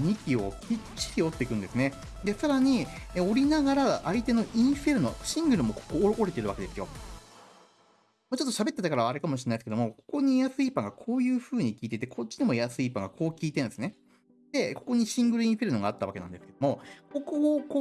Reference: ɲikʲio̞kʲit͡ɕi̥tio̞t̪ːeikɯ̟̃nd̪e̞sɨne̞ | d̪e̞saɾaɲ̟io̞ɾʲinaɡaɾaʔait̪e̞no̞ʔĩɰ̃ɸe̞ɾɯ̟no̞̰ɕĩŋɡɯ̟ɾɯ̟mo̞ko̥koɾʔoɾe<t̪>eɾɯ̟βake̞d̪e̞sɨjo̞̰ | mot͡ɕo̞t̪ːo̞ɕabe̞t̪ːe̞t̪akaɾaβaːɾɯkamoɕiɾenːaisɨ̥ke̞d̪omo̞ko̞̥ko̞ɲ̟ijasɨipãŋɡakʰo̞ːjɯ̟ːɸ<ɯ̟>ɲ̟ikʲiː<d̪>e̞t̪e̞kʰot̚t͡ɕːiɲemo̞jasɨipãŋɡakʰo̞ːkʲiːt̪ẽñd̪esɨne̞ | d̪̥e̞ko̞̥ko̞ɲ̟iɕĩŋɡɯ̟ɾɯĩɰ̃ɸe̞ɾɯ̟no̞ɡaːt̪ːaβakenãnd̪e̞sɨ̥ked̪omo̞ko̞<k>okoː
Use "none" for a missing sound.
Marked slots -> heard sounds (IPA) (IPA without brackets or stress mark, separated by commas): t̪, ɯ̟ː, t̪, k